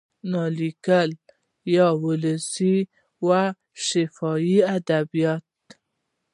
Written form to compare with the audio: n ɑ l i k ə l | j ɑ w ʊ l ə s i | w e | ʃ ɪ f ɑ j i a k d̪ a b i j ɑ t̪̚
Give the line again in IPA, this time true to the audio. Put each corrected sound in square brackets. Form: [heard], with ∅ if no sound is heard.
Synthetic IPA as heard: n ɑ l i k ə l | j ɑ w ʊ l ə s i | w [a] | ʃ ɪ f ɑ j i a [∅] d̪ a b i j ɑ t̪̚